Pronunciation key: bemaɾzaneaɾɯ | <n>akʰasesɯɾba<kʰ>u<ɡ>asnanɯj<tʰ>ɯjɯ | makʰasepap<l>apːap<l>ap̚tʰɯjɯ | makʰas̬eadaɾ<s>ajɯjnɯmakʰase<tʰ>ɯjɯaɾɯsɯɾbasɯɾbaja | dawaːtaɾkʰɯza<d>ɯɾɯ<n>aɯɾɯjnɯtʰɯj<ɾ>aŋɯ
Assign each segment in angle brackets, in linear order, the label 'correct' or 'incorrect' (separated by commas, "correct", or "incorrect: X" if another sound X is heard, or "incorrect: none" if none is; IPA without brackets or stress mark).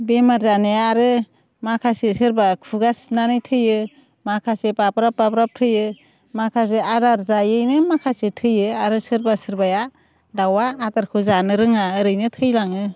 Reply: incorrect: m, correct, correct, correct, incorrect: ɾ, incorrect: ɾ, incorrect: z, correct, incorrect: n, incorrect: ŋ, incorrect: l